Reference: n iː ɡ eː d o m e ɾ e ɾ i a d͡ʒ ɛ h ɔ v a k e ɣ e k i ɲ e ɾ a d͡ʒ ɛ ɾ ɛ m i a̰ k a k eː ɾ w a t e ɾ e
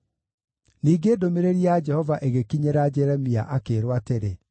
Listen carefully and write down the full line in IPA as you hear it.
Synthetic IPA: n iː ɡ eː d o m e ɾ e ɾ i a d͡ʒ ɛ h ɔ v a ʔ e ɣ e k i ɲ e ɾ a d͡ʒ ɛ ɾ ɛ m i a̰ ʔ a k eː ɾ w a t e ɾ e